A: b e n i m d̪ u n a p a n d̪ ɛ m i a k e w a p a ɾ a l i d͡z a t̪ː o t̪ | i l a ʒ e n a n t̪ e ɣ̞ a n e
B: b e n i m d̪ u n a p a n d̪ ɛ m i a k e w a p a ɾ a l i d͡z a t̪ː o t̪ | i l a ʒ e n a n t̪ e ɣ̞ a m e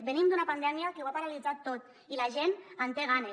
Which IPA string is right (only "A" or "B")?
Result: A